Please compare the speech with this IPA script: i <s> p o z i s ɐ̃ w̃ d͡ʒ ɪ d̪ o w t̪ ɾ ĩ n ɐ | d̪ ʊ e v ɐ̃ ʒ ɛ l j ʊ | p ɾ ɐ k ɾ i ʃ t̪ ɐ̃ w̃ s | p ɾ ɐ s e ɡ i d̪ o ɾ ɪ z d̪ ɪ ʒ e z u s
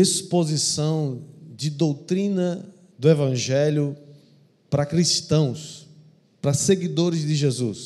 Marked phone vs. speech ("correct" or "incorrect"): correct